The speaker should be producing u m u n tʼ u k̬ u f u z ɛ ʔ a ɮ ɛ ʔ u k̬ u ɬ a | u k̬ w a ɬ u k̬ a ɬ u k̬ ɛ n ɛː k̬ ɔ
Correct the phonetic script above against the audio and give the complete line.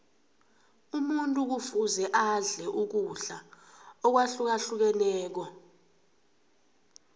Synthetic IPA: u m u n tʼ u k̬ u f u z ɛ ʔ a ɮ ɛ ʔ u k̬ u ɬ a | ɔ k̬ w a ɬ u k̬ a ɬ u k̬ ɛ n ɛː k̬ ɔ